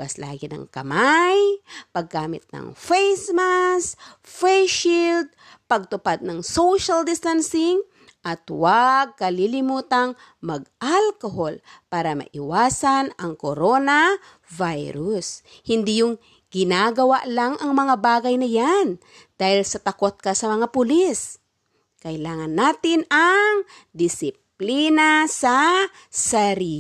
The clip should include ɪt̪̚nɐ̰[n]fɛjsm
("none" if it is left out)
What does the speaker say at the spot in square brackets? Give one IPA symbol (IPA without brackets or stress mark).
ŋ